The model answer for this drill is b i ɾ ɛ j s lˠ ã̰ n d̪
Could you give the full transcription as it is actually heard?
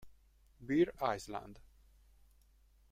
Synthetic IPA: b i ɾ a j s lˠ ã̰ n d̪